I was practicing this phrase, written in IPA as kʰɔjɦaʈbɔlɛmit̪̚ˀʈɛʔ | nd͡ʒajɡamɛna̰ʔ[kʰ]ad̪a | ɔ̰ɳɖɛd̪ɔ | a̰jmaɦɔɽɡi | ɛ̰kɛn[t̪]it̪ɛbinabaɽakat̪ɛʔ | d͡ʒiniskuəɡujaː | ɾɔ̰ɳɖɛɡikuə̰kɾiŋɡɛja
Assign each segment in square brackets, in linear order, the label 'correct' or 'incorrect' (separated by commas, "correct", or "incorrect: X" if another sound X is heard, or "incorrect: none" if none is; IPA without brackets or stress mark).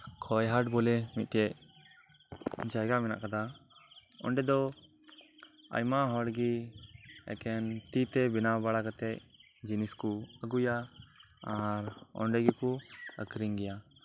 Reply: incorrect: k, correct